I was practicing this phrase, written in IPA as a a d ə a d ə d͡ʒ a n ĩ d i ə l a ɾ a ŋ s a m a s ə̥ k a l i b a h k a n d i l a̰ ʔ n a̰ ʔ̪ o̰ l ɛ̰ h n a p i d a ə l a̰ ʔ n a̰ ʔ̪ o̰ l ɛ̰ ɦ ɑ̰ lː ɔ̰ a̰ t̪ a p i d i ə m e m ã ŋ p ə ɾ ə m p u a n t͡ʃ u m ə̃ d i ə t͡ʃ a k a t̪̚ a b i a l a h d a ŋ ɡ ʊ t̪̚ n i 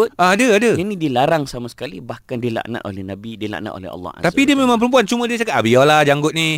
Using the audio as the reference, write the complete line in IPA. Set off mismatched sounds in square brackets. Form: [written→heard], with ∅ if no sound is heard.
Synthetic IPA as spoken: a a d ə a d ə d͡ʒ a n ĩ d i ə l a ɾ a ŋ s a m a s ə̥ k a l i b a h k a n d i l a̰ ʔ n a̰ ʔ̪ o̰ l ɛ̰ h n a [p→b] i d [a→i] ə l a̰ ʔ n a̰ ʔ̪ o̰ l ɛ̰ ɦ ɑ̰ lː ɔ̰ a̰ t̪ a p i d i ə m e m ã ŋ p ə ɾ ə m p u a n t͡ʃ u m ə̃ d i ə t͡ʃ a k a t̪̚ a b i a l a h [d→d͡ʒ] a ŋ ɡ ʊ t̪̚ n i